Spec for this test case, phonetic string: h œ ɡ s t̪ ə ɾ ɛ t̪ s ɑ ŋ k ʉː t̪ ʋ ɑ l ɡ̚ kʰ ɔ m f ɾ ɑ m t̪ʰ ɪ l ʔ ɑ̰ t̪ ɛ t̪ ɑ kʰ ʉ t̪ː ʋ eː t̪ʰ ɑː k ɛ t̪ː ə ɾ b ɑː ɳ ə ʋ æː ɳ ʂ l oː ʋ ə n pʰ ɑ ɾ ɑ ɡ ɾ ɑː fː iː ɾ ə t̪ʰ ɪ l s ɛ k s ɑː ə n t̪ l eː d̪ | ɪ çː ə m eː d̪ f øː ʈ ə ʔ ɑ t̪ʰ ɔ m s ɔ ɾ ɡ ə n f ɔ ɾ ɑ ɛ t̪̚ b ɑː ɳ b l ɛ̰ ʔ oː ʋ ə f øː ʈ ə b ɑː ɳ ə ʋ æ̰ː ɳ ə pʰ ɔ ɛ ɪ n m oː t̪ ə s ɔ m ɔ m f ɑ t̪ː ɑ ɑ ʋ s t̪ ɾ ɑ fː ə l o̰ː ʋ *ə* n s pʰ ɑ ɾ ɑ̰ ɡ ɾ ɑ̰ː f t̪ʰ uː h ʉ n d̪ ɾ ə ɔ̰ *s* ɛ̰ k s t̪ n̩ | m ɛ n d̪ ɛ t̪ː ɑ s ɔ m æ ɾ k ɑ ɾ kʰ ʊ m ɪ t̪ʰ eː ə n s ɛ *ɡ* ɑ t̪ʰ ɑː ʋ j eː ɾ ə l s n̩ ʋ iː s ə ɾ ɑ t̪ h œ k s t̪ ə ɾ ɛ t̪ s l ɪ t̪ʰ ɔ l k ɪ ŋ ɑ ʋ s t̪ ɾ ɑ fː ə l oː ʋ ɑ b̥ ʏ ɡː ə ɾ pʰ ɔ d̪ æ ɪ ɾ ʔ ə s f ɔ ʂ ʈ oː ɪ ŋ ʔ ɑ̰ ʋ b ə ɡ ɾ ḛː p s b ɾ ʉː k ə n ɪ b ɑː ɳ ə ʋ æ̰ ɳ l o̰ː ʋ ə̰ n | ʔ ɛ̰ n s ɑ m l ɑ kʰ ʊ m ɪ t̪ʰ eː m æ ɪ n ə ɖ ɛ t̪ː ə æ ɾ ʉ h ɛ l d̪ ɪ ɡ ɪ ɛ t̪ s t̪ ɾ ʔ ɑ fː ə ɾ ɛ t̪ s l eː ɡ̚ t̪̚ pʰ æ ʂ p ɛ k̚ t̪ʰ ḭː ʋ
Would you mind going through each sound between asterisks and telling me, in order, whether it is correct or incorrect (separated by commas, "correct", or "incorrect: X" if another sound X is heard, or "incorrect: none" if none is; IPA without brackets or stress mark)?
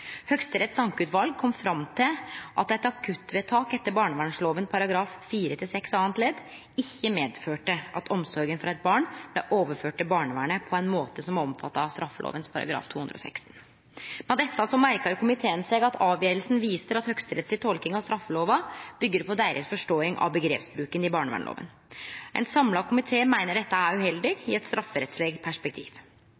correct, correct, correct